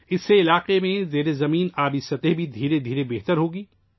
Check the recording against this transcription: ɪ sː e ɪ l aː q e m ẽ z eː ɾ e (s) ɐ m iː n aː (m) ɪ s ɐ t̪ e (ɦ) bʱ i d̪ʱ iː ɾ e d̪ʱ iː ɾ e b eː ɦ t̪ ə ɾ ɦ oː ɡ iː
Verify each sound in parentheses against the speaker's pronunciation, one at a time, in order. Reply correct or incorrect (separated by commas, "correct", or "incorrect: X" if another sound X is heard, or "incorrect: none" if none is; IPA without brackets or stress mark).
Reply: incorrect: z, incorrect: b, correct